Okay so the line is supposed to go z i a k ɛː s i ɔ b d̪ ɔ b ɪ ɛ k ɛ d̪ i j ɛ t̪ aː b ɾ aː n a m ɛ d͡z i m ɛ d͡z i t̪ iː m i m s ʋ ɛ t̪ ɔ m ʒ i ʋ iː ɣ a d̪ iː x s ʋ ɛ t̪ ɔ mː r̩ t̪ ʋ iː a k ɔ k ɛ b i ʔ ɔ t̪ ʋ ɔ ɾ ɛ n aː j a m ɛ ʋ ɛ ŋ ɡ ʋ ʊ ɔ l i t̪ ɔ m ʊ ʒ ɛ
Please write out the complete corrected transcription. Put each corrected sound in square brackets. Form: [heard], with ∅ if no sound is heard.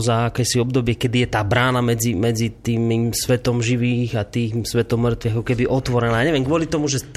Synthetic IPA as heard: z [a] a k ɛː s i ɔ b d̪ ɔ b ɪ ɛ k ɛ d̪ i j ɛ t̪ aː b ɾ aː n a m ɛ d͡z i m ɛ d͡z i t̪ iː m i m s ʋ ɛ t̪ ɔ m ʒ i ʋ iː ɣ a [t̪] iː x s ʋ ɛ t̪ ɔ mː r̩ t̪ ʋ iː a k ɔ k ɛ b i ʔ ɔ t̪ ʋ ɔ ɾ ɛ n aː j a [ɲ] ɛ ʋ ɛ [m] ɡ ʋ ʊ ɔ l i t̪ ɔ m [u] ʒ ɛ